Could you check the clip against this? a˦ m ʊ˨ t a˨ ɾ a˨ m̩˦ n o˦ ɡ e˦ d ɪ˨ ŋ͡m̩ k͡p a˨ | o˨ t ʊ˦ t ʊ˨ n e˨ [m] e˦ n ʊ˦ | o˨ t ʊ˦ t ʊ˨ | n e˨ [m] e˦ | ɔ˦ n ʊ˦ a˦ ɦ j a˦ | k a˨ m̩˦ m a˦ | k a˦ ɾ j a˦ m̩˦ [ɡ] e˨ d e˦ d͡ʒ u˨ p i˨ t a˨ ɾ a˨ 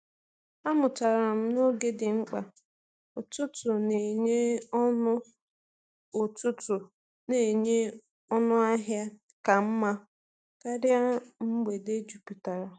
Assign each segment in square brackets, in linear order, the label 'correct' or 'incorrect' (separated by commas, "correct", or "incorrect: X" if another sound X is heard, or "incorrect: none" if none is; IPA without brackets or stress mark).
incorrect: ɲ, incorrect: ɲ, incorrect: ɡ͡b